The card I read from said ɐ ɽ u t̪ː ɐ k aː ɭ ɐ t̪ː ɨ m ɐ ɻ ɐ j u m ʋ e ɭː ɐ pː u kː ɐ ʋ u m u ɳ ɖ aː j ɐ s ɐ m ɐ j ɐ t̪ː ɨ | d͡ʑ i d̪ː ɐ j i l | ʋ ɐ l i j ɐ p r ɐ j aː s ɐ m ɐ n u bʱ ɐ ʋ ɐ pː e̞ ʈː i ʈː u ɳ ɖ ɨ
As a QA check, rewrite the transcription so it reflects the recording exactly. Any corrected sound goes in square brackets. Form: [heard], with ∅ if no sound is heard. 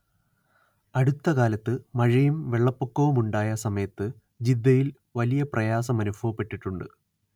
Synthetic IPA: ɐ ɽ u t̪ː ɐ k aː [l] ɐ t̪ː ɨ m ɐ ɻ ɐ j u m ʋ e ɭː ɐ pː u kː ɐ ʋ u m u ɳ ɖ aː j ɐ s ɐ m ɐ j ɐ t̪ː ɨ | d͡ʑ i d̪ː ɐ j i l | ʋ ɐ l i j ɐ p r ɐ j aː s ɐ m ɐ n u bʱ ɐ ʋ ɐ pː e̞ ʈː i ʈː u ɳ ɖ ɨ